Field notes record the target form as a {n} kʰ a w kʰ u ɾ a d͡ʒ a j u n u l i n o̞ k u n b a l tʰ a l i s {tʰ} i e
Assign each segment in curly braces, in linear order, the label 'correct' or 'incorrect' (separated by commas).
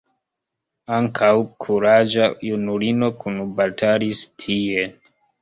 incorrect, correct